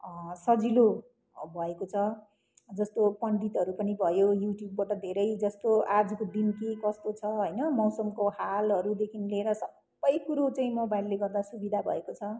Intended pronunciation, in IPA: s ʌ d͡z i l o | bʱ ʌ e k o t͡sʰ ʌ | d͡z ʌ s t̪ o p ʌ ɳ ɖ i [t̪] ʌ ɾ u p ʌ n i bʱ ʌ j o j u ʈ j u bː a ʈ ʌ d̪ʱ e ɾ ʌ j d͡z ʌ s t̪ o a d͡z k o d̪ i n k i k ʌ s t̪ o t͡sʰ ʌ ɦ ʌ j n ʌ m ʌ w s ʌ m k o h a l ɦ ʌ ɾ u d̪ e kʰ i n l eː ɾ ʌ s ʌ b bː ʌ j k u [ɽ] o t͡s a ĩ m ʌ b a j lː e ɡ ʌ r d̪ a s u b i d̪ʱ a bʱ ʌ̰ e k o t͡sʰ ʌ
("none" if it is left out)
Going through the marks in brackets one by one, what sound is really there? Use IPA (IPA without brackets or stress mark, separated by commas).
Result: t̪, ɾ